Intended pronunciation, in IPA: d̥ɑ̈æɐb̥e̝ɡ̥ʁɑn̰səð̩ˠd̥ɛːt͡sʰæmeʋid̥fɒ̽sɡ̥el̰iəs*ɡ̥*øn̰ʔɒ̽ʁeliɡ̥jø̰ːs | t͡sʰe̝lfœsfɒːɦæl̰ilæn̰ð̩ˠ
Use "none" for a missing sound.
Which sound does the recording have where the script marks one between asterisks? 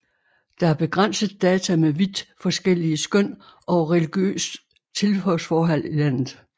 ɡ̥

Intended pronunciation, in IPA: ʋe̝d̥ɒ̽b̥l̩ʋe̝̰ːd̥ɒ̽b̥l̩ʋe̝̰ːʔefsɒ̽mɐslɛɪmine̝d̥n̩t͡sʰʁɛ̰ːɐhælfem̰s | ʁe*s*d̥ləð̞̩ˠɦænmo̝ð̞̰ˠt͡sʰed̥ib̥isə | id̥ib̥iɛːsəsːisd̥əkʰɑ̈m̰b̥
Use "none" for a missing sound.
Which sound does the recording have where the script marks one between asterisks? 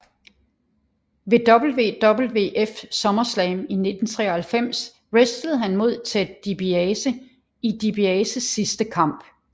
s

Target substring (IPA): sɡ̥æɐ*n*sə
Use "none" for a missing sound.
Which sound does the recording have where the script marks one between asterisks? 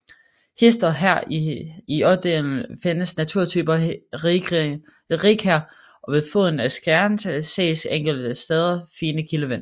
n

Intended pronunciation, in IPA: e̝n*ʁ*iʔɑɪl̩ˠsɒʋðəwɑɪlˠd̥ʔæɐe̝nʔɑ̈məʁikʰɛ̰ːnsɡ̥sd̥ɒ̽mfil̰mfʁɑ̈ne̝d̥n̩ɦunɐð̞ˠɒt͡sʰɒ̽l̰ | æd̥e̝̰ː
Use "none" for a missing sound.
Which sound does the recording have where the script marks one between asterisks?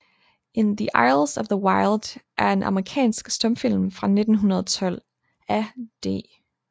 ð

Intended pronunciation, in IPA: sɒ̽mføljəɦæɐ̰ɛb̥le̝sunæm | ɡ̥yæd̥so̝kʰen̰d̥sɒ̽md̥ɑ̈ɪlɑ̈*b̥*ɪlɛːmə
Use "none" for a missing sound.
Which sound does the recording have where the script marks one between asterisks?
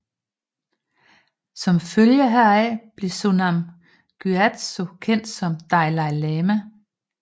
none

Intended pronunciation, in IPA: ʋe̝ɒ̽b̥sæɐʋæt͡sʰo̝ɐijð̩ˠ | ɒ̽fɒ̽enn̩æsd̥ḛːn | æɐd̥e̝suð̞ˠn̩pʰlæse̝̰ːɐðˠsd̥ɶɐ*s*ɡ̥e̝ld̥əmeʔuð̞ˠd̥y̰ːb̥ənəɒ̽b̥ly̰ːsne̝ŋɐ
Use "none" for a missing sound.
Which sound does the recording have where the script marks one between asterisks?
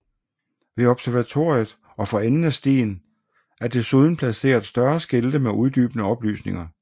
s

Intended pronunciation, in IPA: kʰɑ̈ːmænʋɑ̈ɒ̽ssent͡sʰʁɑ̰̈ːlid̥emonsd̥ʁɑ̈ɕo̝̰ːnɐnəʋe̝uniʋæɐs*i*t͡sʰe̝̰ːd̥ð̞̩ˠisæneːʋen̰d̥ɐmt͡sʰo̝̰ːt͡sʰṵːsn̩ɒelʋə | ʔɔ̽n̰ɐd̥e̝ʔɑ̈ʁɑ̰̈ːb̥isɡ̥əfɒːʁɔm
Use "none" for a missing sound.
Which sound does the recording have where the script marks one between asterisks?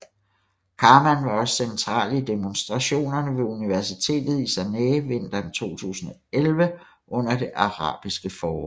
i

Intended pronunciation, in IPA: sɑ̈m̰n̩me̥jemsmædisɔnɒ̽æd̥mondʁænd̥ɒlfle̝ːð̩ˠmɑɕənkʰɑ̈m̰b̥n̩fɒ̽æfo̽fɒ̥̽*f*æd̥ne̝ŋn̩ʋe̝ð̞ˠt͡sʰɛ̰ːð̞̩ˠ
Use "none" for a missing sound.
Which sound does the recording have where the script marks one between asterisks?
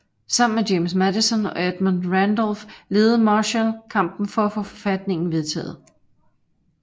f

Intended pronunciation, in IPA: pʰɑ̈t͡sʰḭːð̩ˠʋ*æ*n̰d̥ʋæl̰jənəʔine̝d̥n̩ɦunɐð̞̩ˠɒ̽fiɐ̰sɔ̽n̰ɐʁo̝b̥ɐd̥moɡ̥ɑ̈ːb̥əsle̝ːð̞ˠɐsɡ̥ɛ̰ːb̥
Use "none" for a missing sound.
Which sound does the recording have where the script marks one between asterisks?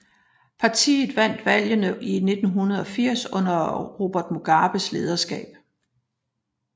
æ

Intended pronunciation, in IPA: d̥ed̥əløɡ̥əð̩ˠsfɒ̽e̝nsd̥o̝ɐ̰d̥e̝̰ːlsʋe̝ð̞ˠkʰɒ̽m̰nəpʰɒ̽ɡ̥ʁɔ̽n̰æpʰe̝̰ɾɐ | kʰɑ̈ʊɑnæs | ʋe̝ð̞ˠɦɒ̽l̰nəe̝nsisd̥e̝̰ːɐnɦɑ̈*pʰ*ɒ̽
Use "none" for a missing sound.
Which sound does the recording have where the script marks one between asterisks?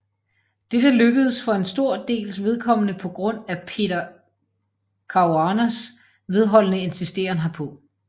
pʰ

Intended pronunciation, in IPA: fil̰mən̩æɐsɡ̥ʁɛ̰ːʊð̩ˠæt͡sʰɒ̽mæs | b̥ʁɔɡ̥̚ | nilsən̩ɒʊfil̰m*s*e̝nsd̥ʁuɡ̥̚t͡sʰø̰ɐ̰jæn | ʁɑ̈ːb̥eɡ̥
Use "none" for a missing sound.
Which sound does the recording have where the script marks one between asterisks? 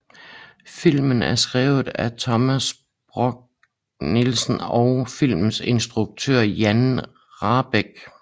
s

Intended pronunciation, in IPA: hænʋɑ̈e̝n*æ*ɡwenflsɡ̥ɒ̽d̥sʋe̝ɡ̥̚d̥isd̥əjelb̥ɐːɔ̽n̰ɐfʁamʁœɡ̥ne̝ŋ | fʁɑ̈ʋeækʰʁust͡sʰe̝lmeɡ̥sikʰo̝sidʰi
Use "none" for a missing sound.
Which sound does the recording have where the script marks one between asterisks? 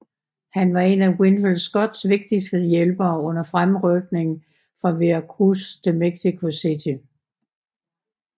æ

